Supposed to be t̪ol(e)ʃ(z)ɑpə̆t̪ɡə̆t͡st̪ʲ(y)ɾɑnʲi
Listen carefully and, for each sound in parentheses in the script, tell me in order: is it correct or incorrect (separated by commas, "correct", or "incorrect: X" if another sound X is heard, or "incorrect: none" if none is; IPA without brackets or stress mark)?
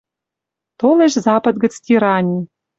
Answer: correct, correct, incorrect: i